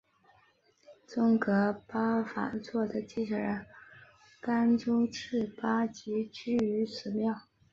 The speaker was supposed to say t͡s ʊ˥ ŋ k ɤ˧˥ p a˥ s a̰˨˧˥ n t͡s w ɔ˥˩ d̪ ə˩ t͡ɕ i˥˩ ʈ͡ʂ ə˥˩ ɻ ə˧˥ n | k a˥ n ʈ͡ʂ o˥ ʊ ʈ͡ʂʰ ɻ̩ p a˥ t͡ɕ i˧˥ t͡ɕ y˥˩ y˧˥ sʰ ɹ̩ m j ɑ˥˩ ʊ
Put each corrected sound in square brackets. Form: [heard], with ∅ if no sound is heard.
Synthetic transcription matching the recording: t͡s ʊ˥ ŋ k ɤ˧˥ p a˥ [f] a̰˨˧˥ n t͡s w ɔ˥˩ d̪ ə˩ t͡ɕ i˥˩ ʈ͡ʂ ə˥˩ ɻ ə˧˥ n | k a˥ n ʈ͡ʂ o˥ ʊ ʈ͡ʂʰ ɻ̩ p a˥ t͡ɕ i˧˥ t͡ɕ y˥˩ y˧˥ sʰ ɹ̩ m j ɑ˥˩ ʊ